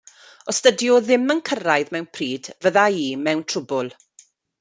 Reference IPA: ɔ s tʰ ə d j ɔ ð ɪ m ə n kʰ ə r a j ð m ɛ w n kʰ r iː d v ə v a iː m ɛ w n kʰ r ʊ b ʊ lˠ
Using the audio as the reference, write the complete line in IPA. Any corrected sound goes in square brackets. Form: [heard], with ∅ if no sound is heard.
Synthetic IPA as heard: ɔ s [t] ə d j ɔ ð ɪ m ə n kʰ ə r a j ð m ɛ w n [pʰ] r iː d v ə [ð] a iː m ɛ w n [tʰ] r ʊ b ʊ lˠ